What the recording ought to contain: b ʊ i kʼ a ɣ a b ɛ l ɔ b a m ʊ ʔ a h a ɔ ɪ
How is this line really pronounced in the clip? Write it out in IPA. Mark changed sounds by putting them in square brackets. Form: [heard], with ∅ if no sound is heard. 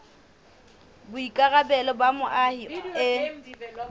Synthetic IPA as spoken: b ʊ i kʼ a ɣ a b ɛ l ɔ b a m ʊ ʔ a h [i] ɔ ɪ